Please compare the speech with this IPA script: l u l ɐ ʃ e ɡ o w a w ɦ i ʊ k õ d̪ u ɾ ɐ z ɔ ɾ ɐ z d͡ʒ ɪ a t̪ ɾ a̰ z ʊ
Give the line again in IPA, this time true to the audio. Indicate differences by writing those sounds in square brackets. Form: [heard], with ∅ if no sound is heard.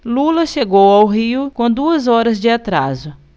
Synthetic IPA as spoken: l u l ɐ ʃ e ɡ o w a w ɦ i ʊ k õ d̪ u [∅] ɐ z ɔ ɾ ɐ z d͡ʒ ɪ a t̪ ɾ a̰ z ʊ